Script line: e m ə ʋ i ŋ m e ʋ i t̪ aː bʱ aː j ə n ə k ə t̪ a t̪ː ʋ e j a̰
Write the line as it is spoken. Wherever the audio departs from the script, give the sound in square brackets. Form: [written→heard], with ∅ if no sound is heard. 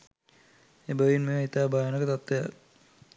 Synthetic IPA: e [m→b] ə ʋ i [ŋ→n] m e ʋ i t̪ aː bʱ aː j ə n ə k ə t̪ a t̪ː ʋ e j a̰